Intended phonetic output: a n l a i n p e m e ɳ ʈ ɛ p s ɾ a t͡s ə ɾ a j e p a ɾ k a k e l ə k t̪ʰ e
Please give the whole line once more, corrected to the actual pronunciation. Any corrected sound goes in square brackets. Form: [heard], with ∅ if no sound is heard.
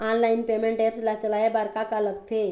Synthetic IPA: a n l a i n p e m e ɳ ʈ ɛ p s [l] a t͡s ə [l] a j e [b] a ɾ k a k [a] l ə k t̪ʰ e